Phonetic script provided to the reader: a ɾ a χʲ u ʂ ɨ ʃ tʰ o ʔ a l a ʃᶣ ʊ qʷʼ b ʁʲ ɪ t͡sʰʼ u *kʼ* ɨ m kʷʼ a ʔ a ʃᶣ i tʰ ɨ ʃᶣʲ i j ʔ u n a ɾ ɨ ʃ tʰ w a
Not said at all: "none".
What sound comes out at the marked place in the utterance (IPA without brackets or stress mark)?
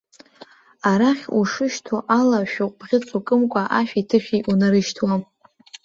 kʼ